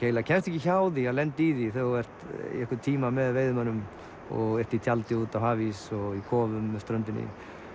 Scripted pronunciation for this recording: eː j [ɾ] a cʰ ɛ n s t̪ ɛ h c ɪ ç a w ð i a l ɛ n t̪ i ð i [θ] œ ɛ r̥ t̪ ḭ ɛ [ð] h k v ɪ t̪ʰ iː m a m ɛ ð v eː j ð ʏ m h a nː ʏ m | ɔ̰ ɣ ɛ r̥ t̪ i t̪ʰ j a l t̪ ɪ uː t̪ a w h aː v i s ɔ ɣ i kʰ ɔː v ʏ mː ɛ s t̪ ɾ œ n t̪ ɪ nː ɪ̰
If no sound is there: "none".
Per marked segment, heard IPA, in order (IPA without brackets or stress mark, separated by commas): l, θ, none